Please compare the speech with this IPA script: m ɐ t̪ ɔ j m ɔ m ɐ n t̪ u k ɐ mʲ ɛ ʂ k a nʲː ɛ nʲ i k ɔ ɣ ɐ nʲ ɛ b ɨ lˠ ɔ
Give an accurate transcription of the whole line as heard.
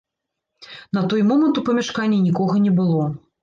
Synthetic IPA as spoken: n ɐ t̪ ɔ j m ɔ m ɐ n t̪ u p ɐ mʲ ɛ ʂ k a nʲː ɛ nʲ i k ɔ ɣ ɐ nʲ ɛ b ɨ lˠ ɔ